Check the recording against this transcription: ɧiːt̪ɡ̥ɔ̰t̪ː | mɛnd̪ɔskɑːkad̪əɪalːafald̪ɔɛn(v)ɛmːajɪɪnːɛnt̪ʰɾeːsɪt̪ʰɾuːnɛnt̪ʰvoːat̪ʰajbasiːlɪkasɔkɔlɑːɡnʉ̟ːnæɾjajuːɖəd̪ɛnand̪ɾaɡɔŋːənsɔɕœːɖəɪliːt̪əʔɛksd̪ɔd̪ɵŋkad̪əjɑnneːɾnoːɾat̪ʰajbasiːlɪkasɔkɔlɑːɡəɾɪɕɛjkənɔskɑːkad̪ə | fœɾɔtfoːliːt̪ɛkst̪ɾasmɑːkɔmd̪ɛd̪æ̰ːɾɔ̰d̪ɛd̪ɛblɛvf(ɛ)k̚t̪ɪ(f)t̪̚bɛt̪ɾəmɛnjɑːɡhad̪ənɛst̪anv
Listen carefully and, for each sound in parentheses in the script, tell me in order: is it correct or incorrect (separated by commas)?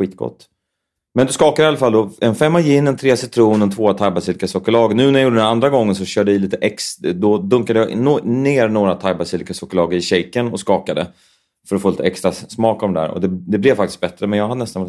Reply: incorrect, incorrect, incorrect